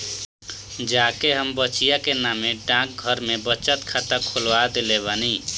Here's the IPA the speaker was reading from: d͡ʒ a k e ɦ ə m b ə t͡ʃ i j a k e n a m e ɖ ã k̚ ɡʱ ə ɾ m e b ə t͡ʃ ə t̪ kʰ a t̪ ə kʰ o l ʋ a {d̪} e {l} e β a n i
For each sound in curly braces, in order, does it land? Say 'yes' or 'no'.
yes, yes

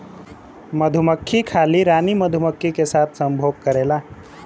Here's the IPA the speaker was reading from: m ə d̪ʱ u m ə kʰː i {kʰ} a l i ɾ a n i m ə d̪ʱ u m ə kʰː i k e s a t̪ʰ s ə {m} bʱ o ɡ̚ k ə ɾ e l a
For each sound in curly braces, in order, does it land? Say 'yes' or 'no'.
yes, yes

